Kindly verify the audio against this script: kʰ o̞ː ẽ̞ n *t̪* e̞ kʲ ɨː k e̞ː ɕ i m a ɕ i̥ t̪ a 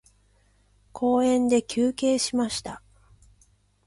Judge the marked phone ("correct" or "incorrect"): incorrect